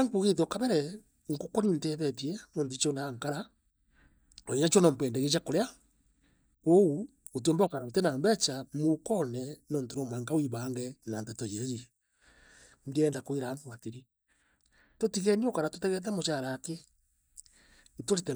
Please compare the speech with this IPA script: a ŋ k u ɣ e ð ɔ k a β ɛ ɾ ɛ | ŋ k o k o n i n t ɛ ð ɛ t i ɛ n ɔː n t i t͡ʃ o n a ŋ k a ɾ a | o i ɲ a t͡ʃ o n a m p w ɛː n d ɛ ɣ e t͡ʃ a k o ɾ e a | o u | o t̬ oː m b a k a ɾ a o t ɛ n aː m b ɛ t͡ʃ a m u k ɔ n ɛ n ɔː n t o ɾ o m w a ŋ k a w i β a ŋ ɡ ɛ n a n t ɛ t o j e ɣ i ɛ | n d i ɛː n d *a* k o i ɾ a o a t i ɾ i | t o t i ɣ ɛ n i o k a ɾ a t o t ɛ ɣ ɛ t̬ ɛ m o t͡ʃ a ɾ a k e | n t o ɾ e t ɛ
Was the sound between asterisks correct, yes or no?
yes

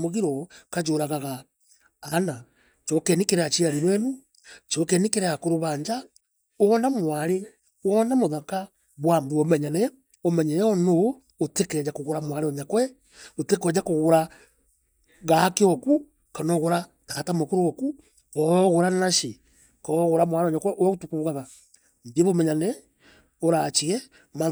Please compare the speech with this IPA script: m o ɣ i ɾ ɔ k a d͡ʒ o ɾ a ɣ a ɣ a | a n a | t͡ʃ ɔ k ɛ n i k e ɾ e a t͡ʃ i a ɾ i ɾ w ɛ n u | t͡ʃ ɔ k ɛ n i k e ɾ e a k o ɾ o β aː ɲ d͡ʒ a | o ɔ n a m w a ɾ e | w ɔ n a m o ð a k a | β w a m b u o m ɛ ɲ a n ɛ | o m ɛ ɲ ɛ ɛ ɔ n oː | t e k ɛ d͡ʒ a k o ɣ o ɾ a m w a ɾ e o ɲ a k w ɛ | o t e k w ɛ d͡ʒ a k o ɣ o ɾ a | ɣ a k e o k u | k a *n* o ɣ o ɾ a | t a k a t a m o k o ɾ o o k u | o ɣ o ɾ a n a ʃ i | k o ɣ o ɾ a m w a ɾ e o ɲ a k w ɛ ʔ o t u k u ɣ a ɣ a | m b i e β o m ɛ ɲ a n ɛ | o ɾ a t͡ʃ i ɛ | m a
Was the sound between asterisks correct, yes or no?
yes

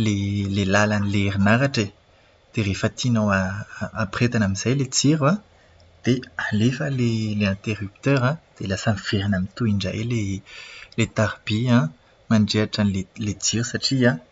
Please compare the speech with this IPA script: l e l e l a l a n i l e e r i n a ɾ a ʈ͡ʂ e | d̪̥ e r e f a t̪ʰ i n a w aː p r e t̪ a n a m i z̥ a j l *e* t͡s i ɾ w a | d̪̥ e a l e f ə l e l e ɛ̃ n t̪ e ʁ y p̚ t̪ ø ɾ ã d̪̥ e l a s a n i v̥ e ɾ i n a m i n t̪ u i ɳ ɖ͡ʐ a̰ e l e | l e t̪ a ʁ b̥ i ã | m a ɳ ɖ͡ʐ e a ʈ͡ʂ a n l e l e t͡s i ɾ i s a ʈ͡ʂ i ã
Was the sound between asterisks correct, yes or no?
yes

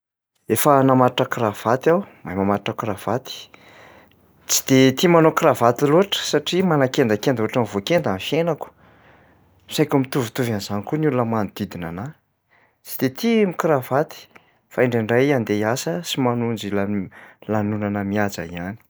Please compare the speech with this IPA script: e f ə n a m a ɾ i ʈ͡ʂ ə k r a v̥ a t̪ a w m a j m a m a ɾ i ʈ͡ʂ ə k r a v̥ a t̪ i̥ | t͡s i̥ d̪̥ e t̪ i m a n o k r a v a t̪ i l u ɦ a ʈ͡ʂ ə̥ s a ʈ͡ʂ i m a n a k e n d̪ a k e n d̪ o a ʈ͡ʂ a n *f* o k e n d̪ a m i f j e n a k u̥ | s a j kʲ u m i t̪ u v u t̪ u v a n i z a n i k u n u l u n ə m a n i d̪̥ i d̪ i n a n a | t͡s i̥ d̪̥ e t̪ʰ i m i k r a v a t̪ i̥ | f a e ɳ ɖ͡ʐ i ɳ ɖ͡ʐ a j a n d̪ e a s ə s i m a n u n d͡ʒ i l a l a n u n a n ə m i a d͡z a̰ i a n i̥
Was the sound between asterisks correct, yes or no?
no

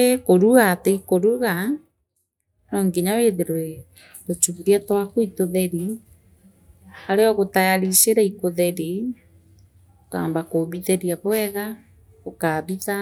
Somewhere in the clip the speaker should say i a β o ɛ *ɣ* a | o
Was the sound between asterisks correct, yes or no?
yes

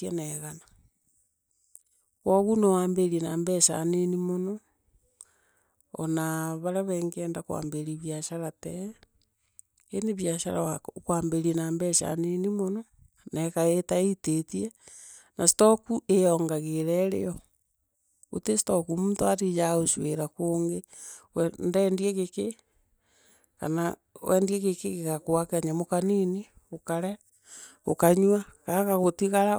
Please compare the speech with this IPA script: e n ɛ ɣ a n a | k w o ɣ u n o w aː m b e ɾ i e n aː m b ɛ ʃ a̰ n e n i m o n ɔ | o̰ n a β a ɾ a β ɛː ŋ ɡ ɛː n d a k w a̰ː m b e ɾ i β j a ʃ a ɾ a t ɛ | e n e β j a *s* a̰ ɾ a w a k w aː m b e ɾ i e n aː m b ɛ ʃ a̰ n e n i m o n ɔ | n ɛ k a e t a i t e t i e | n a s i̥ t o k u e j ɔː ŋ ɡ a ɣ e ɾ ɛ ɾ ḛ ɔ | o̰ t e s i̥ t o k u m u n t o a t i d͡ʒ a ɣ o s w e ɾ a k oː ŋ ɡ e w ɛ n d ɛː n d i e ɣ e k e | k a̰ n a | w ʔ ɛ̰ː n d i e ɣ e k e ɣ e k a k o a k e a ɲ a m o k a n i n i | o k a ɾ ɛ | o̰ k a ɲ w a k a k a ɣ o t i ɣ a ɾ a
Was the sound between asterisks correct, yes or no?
no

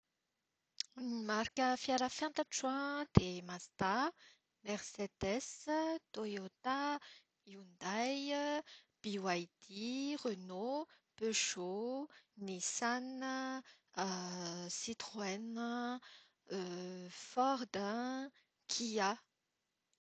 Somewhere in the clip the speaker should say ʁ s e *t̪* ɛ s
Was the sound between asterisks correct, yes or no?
no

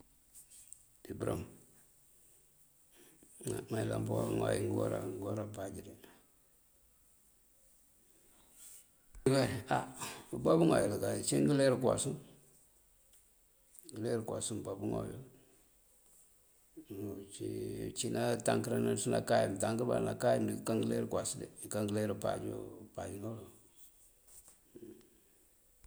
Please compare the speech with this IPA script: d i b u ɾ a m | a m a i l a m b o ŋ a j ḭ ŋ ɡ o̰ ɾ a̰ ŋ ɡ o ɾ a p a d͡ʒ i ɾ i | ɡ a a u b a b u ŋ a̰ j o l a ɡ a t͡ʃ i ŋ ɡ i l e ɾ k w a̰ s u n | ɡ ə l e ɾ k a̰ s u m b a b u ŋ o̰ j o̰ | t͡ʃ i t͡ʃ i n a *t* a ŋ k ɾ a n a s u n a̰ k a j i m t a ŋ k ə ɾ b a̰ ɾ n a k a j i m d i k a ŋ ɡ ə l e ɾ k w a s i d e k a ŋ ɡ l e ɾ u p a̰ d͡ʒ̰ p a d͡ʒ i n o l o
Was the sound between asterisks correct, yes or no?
yes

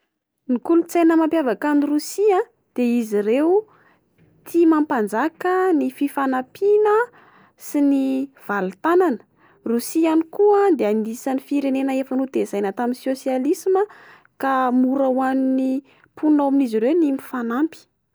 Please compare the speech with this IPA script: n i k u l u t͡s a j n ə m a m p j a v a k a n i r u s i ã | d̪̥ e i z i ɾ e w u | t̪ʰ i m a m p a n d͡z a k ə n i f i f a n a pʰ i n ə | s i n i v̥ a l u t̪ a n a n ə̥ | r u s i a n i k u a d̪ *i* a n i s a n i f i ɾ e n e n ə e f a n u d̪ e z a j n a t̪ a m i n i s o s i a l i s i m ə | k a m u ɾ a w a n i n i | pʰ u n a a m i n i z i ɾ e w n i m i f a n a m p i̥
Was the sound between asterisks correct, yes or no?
no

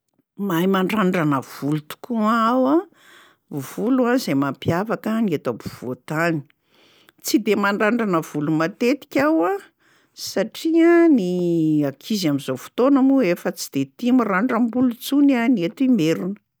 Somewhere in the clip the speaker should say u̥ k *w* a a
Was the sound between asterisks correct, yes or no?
no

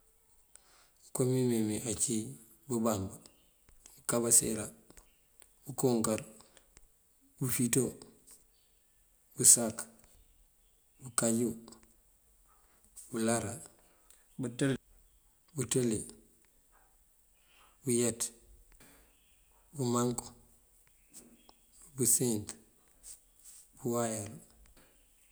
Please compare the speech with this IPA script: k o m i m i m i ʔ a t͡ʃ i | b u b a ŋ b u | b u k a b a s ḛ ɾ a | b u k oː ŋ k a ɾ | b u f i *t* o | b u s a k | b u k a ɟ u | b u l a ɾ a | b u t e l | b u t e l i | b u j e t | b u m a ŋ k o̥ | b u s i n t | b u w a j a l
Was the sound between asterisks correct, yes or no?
yes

